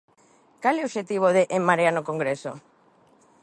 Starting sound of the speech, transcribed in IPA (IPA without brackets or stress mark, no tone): k